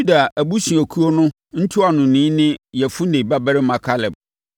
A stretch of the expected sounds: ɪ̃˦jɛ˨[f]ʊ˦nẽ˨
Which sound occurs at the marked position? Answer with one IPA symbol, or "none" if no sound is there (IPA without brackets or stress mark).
f